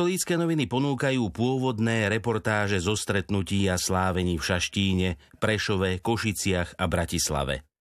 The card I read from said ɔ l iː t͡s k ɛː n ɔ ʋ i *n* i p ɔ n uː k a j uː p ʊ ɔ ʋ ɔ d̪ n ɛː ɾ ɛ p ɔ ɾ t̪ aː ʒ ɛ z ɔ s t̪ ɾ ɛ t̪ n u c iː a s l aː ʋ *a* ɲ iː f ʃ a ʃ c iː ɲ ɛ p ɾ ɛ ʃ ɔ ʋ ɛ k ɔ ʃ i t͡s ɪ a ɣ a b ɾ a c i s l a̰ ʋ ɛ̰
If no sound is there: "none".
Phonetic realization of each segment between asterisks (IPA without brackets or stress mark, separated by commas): n, ɛ